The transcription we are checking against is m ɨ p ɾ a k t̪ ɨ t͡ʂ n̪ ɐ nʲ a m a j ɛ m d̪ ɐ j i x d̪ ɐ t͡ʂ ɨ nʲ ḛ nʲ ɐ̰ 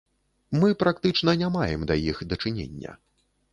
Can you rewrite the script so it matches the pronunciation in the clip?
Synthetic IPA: m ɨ p ɾ a k t̪ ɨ t͡ʂ n̪ ɐ nʲ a m a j ɛ m d̪ ɐ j i x d̪ ɐ t͡ʂ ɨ nʲ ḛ nʲː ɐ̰